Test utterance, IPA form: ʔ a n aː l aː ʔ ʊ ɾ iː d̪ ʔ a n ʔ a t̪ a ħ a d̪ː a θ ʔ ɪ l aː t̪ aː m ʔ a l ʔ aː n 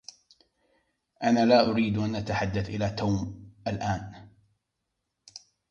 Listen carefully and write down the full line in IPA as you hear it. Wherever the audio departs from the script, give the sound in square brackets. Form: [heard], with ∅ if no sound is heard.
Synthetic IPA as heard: ʔ a n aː l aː ʔ ʊ ɾ iː d̪ ʔ a n ʔ a t̪ a ħ a d̪ː a θ ʔ ɪ l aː t̪ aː m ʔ a l ʔ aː n

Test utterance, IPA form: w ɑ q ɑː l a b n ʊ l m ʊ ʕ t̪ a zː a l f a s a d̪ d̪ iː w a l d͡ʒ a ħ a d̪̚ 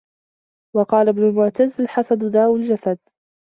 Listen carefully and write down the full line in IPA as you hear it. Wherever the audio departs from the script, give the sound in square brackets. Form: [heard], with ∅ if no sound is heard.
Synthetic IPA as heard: w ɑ q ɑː l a b n ʊ l m ʊ ʕ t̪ a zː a l [ħ] a s a d̪ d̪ [aː] w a l d͡ʒ a [s] a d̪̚

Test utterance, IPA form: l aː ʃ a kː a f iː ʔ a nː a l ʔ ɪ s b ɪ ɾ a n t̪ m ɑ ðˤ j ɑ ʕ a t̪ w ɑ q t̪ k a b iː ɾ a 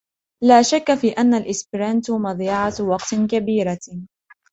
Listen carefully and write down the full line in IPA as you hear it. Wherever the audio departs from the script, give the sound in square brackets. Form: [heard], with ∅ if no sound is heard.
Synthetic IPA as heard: l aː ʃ a kː a f iː ʔ a nː a l ʔ ɪ s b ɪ ɾ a n t̪ m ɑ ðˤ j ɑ ʕ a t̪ w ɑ q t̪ k a b iː ɾ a

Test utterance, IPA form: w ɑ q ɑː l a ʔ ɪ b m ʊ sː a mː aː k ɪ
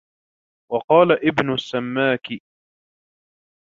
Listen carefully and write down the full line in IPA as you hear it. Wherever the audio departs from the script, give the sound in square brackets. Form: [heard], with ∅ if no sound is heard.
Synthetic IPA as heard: w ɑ q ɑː l a ʔ ɪ b [n] ʊ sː a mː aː k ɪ

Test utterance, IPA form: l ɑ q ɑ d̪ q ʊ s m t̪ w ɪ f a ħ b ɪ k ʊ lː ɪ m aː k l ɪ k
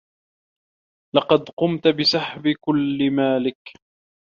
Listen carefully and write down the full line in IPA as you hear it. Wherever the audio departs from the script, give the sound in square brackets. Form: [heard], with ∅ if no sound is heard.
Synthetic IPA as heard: l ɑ q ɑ d̪ q ʊ [∅] m t̪ [b] ɪ [s] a ħ b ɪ k ʊ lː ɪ m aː [∅] l ɪ k

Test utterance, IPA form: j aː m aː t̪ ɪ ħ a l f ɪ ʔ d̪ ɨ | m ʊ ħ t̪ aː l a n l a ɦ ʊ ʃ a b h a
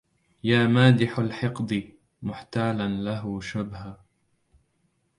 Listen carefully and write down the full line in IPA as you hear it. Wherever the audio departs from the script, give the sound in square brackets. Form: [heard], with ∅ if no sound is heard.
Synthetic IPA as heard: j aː m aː [d̪] ɪ ħ a l [ħ] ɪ [q] d̪ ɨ | m ʊ ħ t̪ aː l a n l a ɦ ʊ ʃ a b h a

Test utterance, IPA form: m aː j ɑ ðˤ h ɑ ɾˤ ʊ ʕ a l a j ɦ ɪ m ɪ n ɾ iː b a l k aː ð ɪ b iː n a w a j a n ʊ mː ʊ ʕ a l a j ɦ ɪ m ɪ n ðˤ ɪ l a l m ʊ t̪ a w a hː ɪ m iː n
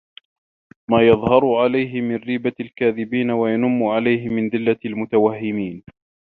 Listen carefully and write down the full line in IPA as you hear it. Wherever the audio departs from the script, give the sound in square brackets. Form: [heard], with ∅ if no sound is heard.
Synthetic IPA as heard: m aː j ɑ ðˤ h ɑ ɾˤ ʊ ʕ a l a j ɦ ɪ m ɪ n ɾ iː b a l k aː ð ɪ b iː n a w a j a n ʊ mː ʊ ʕ a l a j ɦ ɪ m ɪ n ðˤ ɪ [lː] a l m ʊ t̪ a w a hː ɪ m iː n

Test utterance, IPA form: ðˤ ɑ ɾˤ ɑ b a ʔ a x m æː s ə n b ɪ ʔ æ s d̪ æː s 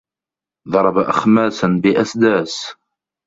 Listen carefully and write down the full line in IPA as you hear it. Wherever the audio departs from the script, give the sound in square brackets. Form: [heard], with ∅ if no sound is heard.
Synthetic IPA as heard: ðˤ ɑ ɾˤ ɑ b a ʔ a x m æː s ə n b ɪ ʔ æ s d̪ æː s

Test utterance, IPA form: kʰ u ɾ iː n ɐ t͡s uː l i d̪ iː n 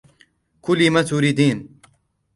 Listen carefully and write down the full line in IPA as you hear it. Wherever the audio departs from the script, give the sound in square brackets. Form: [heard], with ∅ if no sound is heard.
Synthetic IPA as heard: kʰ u [l] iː [m] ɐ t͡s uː [ɾ] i d̪ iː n

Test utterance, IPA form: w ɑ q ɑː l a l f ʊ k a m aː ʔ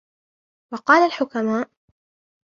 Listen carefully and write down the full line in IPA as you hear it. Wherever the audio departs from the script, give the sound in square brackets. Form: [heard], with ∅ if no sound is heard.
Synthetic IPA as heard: w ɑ q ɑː l a l [ħ] ʊ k a m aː ʔ

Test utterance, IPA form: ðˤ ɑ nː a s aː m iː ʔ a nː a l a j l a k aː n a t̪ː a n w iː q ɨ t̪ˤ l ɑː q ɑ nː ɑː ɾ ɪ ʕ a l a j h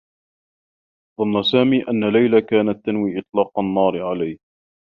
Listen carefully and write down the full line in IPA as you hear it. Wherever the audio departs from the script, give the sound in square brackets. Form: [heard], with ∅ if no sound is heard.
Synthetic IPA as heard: ðˤ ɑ nː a s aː m iː ʔ a nː a l a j l a k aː n a t̪ː a n w iː [ʔ] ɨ t̪ˤ l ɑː q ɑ nː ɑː ɾ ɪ ʕ a l a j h

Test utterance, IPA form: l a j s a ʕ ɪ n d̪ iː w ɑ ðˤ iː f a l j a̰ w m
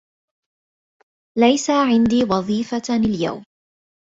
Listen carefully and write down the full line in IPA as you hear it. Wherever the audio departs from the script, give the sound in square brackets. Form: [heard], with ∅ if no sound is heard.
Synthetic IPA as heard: l a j s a ʕ ɪ n d̪ iː w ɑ ðˤ iː f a l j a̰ w m

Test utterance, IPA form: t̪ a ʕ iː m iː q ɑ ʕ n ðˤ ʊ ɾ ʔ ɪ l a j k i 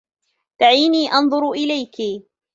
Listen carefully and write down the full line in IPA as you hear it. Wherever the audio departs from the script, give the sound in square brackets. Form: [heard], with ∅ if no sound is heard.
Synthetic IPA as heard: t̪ a ʕ iː [n] iː [ʔ] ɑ [∅] n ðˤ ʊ ɾ ʔ ɪ l a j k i

